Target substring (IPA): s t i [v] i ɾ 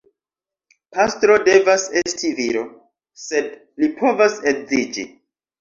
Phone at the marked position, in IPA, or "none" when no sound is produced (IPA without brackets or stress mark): v